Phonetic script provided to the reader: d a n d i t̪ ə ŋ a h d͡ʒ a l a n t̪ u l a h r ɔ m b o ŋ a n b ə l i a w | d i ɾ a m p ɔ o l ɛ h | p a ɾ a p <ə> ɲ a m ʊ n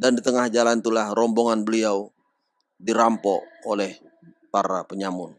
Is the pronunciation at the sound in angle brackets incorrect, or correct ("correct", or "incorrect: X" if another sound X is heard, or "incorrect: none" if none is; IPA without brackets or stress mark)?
correct